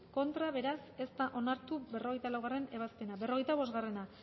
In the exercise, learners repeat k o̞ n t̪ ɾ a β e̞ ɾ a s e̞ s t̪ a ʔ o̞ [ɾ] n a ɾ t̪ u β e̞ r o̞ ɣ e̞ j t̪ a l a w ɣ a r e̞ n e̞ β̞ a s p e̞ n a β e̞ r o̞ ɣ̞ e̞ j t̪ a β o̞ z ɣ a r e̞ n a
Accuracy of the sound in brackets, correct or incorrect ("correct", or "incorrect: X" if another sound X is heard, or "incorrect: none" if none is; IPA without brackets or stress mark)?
incorrect: none